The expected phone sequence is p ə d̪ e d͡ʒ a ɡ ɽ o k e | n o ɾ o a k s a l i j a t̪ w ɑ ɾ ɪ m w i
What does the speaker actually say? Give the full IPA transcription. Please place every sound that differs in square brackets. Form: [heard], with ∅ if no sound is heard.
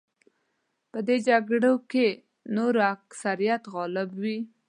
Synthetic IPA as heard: p ə d̪ e d͡ʒ a ɡ ɽ o k e | n o ɾ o a k s a [ɾ] i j a t̪ [ɣ] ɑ [l] ɪ [b] w i